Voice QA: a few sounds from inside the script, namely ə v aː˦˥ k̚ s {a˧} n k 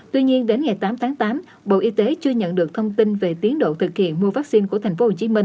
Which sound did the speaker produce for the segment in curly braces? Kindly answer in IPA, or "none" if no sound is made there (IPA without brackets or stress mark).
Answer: i˧